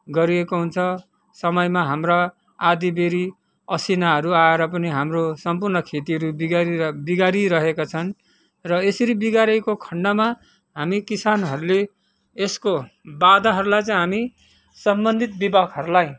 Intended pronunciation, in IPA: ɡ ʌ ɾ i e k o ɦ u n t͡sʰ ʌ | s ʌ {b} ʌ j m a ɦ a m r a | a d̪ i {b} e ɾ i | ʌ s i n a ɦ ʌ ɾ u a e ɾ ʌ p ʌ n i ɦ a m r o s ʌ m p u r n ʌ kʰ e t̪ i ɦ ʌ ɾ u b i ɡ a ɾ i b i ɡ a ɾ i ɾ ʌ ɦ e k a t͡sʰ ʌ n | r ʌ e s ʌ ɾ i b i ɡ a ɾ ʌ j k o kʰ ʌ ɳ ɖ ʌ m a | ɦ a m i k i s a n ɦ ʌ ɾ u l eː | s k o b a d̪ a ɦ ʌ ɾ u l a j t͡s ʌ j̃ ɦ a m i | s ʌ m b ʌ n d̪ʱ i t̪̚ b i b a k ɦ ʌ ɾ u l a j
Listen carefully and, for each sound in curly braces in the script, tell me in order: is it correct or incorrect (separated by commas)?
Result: incorrect, correct